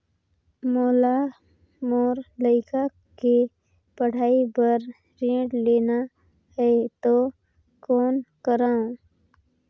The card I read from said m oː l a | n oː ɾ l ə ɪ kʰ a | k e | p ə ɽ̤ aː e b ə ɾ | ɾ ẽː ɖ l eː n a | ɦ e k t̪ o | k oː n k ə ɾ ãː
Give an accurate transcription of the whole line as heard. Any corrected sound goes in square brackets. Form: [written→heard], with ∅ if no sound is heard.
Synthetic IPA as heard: m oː l a | [n→m] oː ɾ l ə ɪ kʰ a | k e | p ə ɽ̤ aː [e→i] b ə ɾ | ɾ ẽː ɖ l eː n a | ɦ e [k→∅] t̪ o | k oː n k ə ɾ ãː